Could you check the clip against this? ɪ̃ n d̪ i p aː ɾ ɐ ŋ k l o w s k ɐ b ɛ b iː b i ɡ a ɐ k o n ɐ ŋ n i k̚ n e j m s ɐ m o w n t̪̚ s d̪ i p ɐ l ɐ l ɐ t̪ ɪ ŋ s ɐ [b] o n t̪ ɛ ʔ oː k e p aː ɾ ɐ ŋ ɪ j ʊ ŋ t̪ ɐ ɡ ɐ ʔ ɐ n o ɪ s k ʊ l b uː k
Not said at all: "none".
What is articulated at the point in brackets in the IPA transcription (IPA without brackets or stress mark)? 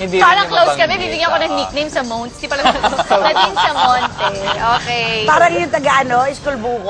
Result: m